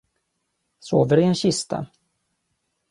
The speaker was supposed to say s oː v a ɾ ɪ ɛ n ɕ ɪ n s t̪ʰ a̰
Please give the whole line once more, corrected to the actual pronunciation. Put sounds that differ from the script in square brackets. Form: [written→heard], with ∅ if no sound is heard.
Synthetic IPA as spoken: s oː v [a→ə] ɾ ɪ ɛ n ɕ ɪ [n→∅] s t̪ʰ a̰